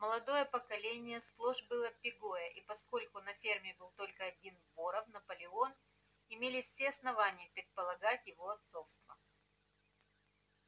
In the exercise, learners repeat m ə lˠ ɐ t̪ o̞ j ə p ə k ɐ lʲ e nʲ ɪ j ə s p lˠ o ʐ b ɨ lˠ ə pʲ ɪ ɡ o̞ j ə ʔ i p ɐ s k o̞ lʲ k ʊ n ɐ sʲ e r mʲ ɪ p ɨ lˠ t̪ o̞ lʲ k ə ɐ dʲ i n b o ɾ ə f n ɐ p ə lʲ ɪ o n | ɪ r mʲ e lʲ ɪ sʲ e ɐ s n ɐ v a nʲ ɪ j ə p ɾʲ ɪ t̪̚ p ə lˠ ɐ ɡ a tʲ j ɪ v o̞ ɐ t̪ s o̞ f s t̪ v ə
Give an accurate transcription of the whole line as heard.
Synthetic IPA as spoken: m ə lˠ ɐ d̪ o̞ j ə p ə k ɐ lʲ e nʲ ɪ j ə s p lˠ o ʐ b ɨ lˠ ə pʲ ɪ ɡ o̞ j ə ʔ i p ɐ s k o̞ lʲ k ʊ n ɐ fʲ e r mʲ ɪ b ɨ lˠ t̪ o̞ lʲ k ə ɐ dʲ i n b o ɾ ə f n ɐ p ə lʲ ɪ o n | ɪ mʲ e lʲ ɪ sʲ e ɐ s n ɐ v a nʲ ɪ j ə p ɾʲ ɪ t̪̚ p ə lˠ ɐ ɡ a tʲ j ɪ v o̞ ɐ t̪ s o̞ f s t̪ v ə